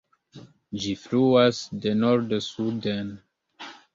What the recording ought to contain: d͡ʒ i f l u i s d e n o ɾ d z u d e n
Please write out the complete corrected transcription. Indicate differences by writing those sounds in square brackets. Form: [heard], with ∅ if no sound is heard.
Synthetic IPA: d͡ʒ i f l u [a] s d e n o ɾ d [s] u d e n